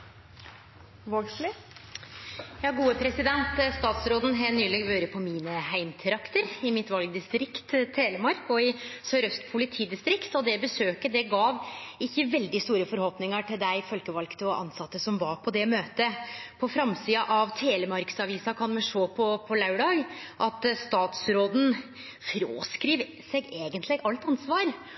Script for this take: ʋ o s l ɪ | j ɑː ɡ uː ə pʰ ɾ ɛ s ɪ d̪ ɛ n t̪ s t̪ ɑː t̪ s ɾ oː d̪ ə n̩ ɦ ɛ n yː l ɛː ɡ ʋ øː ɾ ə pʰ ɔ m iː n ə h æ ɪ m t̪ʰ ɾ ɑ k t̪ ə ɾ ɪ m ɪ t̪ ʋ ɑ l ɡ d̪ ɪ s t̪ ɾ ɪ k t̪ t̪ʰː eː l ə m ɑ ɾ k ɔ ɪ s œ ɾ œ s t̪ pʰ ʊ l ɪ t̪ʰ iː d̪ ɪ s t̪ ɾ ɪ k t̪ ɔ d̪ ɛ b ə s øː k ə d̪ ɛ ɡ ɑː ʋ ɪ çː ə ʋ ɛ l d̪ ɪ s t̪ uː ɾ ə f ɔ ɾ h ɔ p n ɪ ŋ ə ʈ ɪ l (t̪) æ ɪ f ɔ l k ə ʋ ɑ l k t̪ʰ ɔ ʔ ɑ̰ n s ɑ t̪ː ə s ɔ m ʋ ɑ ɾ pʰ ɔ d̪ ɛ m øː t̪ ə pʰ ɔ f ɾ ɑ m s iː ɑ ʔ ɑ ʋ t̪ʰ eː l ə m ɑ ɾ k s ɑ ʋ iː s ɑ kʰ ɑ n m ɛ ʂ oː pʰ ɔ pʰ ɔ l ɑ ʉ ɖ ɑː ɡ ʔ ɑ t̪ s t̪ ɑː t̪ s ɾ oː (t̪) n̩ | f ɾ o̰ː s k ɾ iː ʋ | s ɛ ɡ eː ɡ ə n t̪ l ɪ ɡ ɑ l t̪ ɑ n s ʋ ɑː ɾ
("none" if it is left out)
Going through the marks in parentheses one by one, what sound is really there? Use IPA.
d̪, d̪

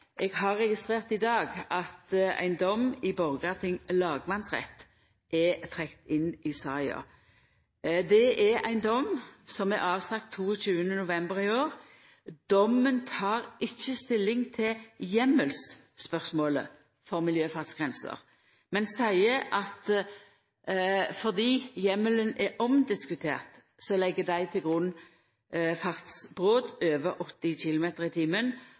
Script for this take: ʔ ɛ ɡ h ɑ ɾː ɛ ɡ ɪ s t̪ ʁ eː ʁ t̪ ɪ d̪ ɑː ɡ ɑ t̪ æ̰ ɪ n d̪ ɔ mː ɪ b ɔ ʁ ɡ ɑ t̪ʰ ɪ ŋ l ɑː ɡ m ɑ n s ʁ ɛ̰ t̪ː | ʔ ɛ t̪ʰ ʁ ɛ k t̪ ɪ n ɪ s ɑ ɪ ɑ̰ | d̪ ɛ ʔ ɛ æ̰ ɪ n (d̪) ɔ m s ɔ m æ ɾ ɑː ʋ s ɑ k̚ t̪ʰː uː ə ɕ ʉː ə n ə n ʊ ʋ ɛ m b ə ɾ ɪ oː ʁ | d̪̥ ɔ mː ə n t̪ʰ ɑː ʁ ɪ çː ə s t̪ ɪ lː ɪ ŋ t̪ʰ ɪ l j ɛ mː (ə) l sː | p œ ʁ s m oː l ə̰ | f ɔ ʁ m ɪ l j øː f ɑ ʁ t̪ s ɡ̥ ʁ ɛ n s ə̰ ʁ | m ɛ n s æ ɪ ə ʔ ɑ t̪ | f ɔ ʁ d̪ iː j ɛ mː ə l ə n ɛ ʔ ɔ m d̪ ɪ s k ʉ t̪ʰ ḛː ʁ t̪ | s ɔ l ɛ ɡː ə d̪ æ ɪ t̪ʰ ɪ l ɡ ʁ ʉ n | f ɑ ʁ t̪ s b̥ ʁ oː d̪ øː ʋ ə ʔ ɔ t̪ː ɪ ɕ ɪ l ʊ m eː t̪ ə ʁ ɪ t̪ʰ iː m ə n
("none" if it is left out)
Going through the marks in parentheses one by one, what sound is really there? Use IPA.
d̪, ə

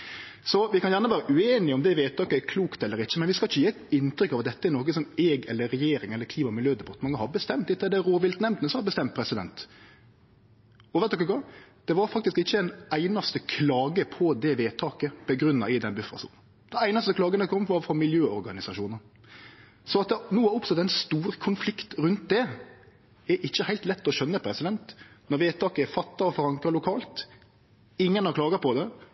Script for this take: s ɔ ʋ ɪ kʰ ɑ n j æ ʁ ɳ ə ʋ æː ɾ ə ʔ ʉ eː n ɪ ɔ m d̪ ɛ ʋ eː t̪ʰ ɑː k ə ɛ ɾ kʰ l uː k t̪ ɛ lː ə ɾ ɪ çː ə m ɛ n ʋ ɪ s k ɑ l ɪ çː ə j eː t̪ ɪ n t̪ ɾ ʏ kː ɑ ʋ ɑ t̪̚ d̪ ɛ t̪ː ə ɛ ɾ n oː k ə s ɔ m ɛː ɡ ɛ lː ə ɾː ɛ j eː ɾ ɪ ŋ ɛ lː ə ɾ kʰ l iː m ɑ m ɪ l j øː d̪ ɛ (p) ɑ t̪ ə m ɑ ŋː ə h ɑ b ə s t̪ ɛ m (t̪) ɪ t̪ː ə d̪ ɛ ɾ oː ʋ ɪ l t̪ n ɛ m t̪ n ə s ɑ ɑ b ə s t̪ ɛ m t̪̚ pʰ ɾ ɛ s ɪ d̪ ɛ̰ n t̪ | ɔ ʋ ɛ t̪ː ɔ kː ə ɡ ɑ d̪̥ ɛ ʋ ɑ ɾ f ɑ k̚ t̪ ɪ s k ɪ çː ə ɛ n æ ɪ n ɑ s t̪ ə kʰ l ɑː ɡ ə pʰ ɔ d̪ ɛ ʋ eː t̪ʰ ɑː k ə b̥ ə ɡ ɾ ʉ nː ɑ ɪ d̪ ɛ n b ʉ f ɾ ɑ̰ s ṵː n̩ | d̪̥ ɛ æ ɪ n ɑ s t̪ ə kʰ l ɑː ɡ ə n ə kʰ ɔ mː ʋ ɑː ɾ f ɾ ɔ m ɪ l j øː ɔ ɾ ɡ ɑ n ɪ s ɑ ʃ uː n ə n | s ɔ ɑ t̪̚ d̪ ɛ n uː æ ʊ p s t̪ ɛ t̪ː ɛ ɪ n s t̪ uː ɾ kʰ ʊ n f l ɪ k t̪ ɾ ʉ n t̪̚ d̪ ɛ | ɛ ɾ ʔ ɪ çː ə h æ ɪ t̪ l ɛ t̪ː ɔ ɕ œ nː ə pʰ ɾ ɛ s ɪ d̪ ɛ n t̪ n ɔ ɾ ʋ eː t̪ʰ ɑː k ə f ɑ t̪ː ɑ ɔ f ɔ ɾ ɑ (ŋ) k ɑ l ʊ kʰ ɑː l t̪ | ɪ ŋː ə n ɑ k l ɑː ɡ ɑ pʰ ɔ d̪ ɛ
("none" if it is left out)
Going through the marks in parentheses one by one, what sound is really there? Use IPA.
b, t̪, ŋ

